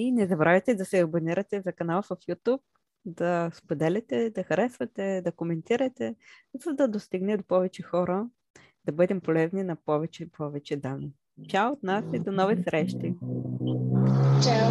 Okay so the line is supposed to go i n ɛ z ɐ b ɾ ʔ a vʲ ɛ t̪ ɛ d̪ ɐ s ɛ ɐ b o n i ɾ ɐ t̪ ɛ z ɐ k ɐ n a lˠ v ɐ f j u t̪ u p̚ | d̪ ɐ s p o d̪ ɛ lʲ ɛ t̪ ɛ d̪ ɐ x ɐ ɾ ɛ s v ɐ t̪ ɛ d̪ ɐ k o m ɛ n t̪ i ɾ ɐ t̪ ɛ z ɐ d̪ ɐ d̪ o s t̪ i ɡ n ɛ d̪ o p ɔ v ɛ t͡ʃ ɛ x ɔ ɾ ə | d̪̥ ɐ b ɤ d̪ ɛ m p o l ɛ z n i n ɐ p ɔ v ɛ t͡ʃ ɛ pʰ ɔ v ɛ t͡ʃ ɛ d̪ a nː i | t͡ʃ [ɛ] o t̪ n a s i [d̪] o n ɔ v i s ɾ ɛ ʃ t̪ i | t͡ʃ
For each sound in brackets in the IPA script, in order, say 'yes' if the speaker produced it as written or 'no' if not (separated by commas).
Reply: no, yes